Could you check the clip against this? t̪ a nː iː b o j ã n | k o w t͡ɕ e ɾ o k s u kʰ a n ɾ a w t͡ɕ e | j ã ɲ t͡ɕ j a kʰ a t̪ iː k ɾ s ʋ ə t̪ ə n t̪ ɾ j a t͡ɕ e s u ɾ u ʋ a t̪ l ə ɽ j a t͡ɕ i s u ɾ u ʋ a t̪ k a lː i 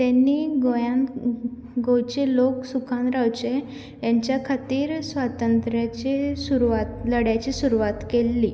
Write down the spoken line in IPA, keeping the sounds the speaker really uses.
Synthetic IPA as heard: t̪ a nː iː ɡ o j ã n | ɡ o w t͡ɕ e l o k s u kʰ a n ɾ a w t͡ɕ e | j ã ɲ t͡ɕ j a kʰ a t̪ iː ɾ s ʋ a t̪ ə n t̪ ɾ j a t͡ɕ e s u ɾ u ʋ a t̪ l ə ɽ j a t͡ɕ i s u ɾ u ʋ a t̪ k e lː i